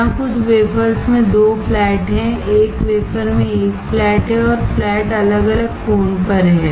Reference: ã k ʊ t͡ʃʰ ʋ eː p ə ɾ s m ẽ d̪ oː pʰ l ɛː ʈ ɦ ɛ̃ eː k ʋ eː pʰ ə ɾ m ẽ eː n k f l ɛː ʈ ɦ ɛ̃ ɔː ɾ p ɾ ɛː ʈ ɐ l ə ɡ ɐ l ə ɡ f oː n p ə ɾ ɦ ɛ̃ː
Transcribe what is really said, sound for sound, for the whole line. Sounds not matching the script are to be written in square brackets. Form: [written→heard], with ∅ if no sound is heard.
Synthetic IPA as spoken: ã k ʊ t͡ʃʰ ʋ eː p ə ɾ s m ẽ d̪ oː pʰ l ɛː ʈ ɦ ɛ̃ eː k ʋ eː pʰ ə ɾ m ẽ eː [n→∅] k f l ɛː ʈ ɦ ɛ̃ ɔː ɾ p [ɾ→l] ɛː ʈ ɐ l ə ɡ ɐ l ə ɡ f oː n p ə ɾ ɦ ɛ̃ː